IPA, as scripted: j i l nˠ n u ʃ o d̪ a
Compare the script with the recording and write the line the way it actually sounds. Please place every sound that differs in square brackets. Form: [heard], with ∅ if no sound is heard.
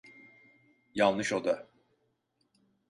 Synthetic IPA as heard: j [a] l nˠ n [ɯ] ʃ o d̪ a